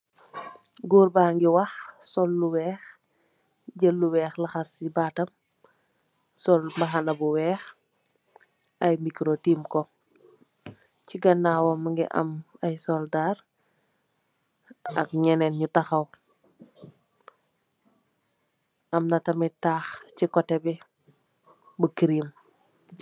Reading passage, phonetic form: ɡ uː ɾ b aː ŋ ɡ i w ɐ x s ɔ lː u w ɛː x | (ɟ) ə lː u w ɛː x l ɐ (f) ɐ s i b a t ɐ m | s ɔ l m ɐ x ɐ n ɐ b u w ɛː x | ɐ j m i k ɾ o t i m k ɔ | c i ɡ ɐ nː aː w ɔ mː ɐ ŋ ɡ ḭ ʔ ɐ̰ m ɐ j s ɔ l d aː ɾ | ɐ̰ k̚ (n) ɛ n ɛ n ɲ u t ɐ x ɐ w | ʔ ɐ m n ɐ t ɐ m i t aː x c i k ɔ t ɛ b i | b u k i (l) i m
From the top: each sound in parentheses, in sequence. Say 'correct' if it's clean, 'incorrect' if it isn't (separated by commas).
correct, incorrect, incorrect, incorrect